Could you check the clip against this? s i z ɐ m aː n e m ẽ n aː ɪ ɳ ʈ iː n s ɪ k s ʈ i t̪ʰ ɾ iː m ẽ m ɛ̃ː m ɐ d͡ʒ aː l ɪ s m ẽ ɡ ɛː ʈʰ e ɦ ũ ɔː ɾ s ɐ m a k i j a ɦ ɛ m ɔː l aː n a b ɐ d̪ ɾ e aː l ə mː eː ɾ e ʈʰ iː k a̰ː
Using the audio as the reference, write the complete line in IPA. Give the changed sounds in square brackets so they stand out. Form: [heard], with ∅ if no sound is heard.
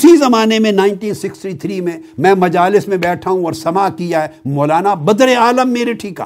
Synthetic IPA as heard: s i z ɐ m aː n e m ẽ n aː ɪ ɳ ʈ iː n s ɪ k s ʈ i t̪ʰ ɾ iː m ẽ m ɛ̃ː m ɐ d͡ʒ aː l ɪ s m ẽ [b] ɛː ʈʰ [a] ɦ ũ ɔː ɾ s ɐ m a k i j a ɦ ɛ m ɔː l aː n a b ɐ d̪ ɾ e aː l ə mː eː ɾ e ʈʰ iː k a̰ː